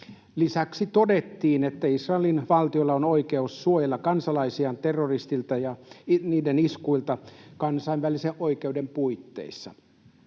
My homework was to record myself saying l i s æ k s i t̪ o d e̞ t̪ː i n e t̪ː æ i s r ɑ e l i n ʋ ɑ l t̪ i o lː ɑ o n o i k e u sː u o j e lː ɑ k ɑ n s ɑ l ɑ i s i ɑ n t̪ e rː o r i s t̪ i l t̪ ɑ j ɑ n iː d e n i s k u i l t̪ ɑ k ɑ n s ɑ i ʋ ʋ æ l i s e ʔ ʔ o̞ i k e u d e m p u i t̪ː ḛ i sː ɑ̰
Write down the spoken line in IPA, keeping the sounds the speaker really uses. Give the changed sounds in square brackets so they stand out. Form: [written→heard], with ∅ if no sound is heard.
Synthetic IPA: l i s æ k s i t̪ o d e̞ t̪ː [i→iː] n e t̪ː æ i s r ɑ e l i n ʋ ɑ l t̪ i o lː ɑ o n o i k e u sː u o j e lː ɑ k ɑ n s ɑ l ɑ i s i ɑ n t̪ e rː o r i s t̪ i l t̪ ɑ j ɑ n iː d e n i s k u i l t̪ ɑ k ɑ n s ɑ i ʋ ʋ æ l i s e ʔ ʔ o̞ i k e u d e m p u i t̪ː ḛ i sː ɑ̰